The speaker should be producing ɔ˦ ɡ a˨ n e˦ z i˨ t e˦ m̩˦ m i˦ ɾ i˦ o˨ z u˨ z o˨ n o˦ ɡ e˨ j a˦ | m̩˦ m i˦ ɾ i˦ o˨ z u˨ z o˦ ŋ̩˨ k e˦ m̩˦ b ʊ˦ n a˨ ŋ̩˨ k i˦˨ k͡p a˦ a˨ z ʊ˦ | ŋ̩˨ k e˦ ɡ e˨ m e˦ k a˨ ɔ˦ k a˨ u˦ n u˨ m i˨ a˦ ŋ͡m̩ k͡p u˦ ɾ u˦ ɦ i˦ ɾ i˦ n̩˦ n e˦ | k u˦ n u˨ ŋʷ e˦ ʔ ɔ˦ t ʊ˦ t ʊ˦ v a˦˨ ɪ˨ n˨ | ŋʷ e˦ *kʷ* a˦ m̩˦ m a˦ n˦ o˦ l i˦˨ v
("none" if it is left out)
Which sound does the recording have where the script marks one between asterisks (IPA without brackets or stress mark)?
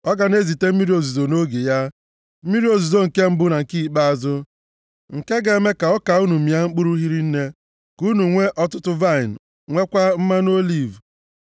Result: kʷ